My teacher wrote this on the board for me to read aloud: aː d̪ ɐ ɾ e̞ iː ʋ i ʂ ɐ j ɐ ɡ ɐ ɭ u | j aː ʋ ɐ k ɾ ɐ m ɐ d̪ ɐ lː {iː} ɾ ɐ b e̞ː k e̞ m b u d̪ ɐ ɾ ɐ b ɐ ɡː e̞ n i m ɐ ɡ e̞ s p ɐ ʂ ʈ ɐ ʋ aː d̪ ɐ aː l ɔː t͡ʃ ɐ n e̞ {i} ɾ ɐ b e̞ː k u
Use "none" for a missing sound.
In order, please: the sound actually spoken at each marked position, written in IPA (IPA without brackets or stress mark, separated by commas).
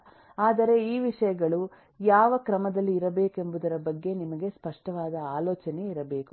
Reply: iː, i